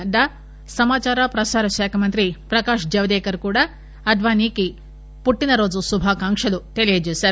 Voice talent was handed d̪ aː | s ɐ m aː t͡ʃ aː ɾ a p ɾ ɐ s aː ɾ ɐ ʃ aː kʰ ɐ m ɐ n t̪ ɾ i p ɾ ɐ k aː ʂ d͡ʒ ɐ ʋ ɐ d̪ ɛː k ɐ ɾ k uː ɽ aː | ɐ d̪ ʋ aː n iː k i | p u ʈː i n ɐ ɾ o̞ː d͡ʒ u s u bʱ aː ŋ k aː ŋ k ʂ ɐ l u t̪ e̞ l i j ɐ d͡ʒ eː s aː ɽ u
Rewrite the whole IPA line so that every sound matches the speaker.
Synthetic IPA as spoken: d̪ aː | s ɐ m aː t͡ʃ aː ɾ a p ɾ ɐ s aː ɾ ɐ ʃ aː kʰ ɐ m ɐ n t̪ ɾ i p ɾ ɐ k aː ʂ d͡ʒ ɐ ʋ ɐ d̪ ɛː k ɐ ɾ k uː ɽ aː | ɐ d̪ ʋ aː n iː k i | p u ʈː i n ɐ ɾ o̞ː d͡ʒ u s u bʱ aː k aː ŋ k ʂ ɐ l u t̪ e̞ l i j ɐ d͡ʒ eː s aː ɾ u